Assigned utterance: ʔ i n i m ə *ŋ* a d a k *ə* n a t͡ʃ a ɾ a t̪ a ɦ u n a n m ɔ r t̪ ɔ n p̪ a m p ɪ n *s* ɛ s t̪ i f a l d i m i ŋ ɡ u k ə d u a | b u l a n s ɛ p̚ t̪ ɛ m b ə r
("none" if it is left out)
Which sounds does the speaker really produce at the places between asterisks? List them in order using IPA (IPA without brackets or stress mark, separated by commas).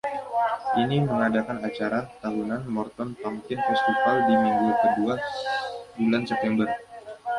ŋ, a, f